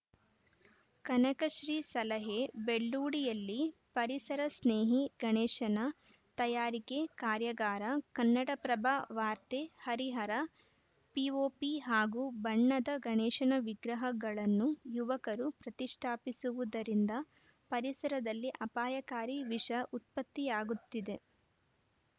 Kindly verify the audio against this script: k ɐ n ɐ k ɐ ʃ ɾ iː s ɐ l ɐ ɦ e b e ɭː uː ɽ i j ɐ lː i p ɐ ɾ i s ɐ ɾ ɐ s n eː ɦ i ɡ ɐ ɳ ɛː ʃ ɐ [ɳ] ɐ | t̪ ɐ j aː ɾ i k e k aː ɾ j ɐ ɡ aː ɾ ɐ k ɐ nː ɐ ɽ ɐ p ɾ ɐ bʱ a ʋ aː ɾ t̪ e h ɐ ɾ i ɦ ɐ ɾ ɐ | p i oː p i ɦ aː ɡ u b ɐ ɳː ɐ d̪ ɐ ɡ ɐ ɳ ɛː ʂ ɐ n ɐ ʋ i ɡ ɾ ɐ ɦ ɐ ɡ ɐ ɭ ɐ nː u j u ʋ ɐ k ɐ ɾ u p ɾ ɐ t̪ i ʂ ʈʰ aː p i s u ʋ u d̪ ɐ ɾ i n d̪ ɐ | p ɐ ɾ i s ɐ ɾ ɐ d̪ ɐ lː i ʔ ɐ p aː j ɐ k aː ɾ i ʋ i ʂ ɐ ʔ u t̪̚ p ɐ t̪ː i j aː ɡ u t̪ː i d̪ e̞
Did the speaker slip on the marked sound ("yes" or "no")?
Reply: yes